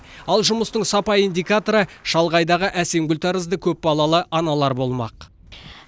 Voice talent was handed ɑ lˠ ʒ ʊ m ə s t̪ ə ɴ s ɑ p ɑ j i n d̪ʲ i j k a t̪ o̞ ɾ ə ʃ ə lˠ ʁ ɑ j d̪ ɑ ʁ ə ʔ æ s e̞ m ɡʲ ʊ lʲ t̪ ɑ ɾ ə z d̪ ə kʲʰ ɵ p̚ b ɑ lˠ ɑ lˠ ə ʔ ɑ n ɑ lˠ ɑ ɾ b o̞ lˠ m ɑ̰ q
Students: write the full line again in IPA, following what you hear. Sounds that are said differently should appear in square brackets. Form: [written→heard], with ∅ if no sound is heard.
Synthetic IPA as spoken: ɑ lˠ ʒ ʊ m ə s t̪ ə ɴ s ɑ p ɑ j i n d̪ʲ i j k a t̪ o̞ ɾ ə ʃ [ə→ɑ] lˠ ʁ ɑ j d̪ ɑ ʁ ə ʔ æ s e̞ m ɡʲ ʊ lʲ t̪ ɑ ɾ ə z d̪ ə kʲʰ ɵ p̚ b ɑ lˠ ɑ lˠ ə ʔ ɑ n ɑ lˠ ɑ ɾ b o̞ lˠ m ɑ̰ q